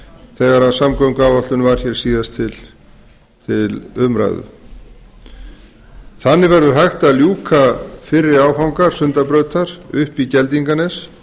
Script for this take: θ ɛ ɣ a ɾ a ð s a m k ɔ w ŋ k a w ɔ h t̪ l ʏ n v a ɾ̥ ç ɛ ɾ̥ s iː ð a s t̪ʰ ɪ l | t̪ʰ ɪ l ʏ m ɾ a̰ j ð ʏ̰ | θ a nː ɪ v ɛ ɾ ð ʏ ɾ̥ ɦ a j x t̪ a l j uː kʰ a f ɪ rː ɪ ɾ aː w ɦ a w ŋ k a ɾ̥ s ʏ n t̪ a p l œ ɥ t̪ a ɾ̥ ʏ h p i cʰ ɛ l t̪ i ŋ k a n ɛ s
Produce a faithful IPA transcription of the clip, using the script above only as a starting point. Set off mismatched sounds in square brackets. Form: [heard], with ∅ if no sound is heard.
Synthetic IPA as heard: θ ɛ ɣ a ɾ a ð s a m k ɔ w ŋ k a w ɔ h t̪ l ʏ n v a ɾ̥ ç ɛ ɾ̥ s iː ð a s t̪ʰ ɪ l | t̪ʰ ɪ l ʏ m ɾ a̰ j ð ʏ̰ | θ a nː ɪ v ɛ ɾ ð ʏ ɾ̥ ɦ a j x t̪ a l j uː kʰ a f ɪ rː ɪ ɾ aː w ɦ a w ŋ k a ɾ̥ s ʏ n t̪ a p [ɾ] œ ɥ t̪ a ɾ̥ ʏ h p i [c] ɛ l t̪ i ŋ k a n ɛ s